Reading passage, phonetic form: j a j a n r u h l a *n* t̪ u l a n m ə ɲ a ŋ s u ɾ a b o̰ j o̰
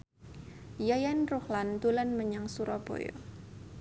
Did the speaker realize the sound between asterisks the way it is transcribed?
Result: yes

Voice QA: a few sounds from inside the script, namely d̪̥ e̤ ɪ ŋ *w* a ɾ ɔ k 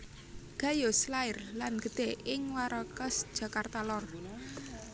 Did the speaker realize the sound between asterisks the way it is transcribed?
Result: yes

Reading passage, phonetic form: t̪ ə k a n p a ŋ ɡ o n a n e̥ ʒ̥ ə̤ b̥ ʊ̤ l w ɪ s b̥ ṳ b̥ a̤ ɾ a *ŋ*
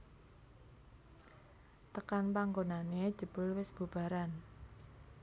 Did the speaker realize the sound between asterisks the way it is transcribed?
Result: no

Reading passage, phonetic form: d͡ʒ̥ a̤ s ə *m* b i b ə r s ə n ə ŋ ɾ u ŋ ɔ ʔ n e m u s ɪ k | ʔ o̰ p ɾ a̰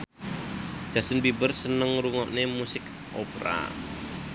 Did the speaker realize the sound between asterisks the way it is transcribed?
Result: no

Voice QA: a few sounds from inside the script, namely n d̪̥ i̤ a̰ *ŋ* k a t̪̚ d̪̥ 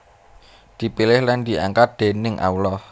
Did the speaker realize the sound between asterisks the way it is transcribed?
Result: yes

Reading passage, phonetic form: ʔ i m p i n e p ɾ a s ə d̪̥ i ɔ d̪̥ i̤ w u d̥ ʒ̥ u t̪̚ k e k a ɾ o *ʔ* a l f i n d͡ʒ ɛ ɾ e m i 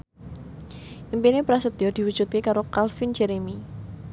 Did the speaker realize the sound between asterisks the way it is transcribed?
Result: no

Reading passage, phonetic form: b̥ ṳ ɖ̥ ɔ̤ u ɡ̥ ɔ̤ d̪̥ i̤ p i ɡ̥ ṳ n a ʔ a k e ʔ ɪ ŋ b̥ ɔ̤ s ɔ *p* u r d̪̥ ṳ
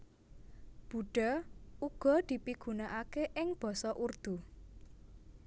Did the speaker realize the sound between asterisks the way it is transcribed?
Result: no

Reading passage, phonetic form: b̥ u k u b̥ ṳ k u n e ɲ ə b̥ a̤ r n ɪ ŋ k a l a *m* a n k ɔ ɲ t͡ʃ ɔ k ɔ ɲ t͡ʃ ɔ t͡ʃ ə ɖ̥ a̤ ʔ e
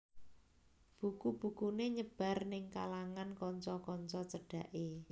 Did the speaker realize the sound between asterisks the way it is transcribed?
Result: no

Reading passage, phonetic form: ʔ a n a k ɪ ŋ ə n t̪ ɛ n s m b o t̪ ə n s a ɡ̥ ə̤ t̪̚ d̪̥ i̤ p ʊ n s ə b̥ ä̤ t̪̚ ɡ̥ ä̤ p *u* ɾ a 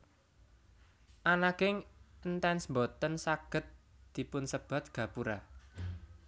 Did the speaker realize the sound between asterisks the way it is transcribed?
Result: yes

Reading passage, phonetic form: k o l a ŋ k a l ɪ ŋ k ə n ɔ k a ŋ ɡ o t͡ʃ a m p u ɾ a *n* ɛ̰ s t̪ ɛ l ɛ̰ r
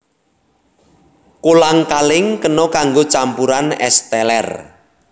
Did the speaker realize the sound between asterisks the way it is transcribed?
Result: yes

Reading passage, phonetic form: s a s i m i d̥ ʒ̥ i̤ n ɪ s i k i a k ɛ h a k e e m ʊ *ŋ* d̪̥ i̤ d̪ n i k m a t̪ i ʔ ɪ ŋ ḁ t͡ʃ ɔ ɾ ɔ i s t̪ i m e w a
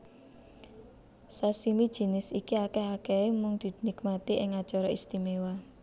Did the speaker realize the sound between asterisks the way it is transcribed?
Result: yes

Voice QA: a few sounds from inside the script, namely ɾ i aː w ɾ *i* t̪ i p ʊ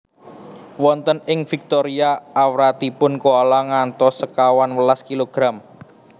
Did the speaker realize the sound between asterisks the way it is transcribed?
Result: no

